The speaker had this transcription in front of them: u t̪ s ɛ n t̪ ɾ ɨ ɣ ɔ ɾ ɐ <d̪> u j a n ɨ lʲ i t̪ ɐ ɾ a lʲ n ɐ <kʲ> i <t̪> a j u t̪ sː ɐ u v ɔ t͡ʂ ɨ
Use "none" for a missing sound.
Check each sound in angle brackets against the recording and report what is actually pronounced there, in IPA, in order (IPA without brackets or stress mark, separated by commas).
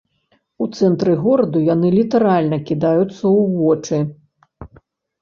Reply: d̪, kʲ, d̪